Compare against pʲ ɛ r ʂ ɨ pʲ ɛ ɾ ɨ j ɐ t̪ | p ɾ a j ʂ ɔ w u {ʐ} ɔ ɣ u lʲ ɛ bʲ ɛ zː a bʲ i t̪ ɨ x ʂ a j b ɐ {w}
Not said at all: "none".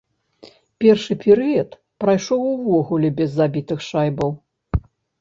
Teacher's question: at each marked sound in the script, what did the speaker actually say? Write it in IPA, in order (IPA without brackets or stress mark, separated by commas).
v, w